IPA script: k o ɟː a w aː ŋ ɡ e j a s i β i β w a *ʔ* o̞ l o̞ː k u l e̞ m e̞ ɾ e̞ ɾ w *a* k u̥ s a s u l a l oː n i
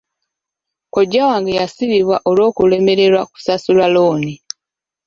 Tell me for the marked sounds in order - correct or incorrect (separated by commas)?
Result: correct, correct